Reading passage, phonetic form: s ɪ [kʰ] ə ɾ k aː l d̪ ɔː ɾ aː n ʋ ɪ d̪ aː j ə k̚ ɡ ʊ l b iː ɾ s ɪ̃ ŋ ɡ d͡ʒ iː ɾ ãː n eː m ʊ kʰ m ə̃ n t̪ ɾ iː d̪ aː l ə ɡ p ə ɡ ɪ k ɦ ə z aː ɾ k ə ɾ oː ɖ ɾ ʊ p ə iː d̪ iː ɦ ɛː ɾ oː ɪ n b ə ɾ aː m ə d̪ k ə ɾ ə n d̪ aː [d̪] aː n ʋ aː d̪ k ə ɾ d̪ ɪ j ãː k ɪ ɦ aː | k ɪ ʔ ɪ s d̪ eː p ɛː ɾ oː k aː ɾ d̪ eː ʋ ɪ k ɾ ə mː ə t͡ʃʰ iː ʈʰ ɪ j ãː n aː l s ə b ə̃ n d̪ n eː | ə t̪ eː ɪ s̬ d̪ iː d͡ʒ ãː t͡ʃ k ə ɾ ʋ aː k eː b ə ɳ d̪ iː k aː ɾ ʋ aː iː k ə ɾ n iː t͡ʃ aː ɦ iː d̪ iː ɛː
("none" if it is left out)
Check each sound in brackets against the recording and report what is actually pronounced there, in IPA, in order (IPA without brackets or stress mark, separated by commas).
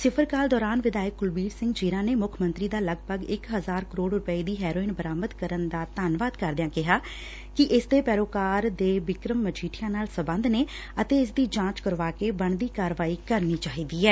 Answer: pʰ, t̪